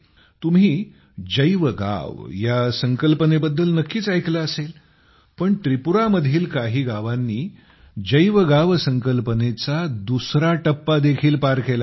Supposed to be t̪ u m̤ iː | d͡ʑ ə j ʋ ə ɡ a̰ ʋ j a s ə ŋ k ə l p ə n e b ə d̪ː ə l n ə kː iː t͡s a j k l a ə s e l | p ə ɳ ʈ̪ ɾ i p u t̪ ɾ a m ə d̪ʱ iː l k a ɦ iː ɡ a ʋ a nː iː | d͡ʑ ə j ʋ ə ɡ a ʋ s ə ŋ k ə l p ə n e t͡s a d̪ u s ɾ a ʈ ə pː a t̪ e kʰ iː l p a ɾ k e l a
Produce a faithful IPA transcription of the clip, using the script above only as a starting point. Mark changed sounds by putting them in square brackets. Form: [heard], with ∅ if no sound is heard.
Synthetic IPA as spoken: t̪ u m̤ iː | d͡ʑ ə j ʋ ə ɡ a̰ ʋ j a s ə ŋ k ə l p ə n e b ə d̪ː ə l n ə kː iː t͡s a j k l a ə s e l | p ə ɳ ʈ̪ ɾ i p u [∅] ɾ a m ə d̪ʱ iː l k a ɦ iː ɡ a ʋ a nː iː | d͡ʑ ə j ʋ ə ɡ a ʋ s ə ŋ k ə l p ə n e t͡s a d̪ u s ɾ a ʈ ə pː a [d̪] e kʰ iː l p a ɾ k e l a